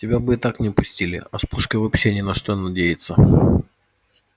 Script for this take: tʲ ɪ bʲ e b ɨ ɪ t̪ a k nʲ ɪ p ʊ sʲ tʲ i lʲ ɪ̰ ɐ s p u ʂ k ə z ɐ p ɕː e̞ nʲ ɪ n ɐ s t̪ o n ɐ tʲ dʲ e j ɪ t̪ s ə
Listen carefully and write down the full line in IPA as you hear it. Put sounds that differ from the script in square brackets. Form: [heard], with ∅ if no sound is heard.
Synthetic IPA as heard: tʲ ɪ bʲ [a] b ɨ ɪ t̪ a k nʲ ɪ p ʊ sʲ tʲ i lʲ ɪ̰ ɐ s p u ʂ k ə [v] ɐ p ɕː e̞ nʲ ɪ n ɐ [ʂ] t̪ o n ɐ [∅] dʲ e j ɪ t̪ s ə